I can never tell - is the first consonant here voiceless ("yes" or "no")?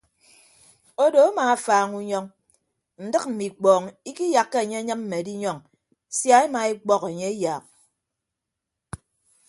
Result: no